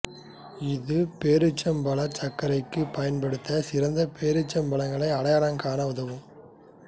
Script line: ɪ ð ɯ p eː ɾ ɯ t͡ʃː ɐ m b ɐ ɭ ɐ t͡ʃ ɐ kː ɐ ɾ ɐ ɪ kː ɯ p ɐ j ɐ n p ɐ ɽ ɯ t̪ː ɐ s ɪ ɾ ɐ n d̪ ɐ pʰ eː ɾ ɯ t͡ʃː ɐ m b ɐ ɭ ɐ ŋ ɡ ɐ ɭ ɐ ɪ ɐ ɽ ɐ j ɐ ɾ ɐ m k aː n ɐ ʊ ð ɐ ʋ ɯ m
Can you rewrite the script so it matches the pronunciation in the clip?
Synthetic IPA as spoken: ɪ ð ɯ p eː ɾ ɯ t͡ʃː ɐ m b ɐ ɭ ɐ t͡ʃ ɐ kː ɐ ɾ ɐ ɪ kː ɯ p ɐ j ɐ n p ɐ ɽ ɯ t̪ː ɐ s ɪ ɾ ɐ n d̪ ɐ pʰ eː ɾ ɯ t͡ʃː ɐ m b ɐ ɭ ɐ ŋ ɡ ɐ ɭ ɐ ɪ ɐ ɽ ɐ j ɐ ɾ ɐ ŋ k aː n ɐ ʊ ð ɐ ʋ ɯ m